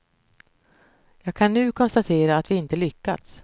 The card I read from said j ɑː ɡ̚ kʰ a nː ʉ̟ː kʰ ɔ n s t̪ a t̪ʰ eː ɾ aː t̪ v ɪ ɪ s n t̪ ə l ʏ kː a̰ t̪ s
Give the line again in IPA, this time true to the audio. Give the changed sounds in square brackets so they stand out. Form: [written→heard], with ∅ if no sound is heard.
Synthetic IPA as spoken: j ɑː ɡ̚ kʰ a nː ʉ̟ː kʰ ɔ n s t̪ a t̪ʰ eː ɾ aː t̪ v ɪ ɪ [s→∅] n t̪ ə l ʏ kː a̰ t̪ s